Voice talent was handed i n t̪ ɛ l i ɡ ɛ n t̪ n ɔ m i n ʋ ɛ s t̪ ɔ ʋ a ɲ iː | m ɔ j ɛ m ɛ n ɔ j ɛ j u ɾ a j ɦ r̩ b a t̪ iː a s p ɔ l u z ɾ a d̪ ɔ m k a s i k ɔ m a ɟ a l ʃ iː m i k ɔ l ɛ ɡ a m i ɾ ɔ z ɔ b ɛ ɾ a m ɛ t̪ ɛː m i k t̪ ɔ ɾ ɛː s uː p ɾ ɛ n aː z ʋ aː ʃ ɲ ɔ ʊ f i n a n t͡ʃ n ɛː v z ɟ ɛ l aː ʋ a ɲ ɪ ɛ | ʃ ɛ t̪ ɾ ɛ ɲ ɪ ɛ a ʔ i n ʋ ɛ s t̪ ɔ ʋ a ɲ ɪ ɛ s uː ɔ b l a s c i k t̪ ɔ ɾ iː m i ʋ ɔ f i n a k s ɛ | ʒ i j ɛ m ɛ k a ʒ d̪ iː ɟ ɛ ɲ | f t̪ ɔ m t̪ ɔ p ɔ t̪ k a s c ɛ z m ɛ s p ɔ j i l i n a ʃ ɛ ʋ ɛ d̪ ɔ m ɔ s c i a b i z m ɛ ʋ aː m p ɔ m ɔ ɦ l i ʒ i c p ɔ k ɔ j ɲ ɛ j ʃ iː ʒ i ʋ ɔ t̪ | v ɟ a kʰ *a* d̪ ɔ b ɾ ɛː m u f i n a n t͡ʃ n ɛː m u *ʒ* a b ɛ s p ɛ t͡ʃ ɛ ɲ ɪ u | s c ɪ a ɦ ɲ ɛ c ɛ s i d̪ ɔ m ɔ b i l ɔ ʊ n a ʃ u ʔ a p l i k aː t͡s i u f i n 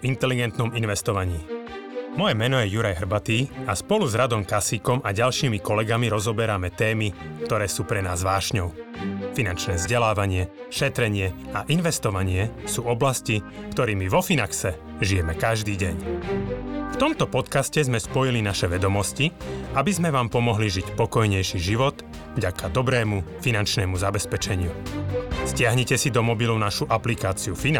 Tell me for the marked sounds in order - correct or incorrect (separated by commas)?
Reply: correct, incorrect